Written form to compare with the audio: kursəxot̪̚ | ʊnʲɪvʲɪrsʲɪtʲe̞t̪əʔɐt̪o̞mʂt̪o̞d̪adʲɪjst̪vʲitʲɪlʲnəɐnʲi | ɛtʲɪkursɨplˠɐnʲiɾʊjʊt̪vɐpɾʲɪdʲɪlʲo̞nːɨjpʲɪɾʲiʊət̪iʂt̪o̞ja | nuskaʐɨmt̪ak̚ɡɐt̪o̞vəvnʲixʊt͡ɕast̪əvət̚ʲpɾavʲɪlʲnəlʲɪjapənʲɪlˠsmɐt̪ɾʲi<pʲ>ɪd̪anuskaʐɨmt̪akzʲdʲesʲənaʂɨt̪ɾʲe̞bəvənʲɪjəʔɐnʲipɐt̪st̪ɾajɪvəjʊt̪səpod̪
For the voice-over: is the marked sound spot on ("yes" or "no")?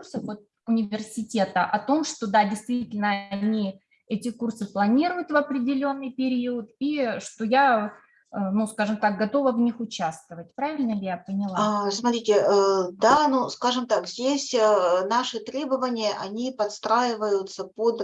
no